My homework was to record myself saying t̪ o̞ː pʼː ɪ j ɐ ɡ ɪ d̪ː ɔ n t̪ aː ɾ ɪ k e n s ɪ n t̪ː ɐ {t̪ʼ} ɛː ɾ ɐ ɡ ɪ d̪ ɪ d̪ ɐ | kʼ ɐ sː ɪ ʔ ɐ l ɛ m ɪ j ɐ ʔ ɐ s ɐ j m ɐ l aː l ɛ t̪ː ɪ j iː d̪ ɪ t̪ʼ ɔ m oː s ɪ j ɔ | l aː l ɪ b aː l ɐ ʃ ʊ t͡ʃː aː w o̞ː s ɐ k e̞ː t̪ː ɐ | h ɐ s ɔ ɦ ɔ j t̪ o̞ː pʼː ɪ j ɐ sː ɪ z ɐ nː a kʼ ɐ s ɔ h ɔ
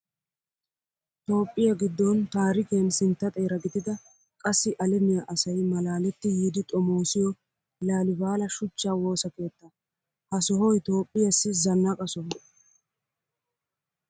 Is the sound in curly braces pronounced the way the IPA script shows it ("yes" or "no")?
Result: yes